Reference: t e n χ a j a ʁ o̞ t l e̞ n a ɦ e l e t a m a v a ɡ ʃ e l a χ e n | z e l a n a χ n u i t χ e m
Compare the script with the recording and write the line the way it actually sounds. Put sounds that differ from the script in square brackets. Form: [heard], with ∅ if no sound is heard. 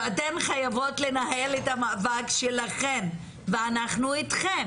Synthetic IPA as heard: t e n χ a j a [v] o̞ t l e̞ n a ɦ e l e t a m a v a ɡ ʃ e l a χ e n | [v] e [∅] a n a χ n u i t χ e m